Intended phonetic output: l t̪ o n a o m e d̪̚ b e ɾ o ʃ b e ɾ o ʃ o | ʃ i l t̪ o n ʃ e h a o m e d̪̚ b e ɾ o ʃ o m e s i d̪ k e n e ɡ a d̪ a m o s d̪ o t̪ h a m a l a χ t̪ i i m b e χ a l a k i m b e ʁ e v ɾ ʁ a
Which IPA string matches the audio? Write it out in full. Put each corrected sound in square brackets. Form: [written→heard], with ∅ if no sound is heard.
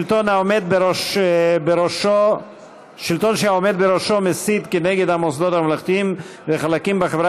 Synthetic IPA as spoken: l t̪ o n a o m e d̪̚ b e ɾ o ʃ b e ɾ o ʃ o | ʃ i l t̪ o n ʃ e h a o m e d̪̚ b e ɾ o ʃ o m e s i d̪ k e n e ɡ [a→e] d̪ a m o s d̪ o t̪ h a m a l a χ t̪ i i m [b→v] e χ a l a k i m b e [ʁ→χ] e v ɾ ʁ a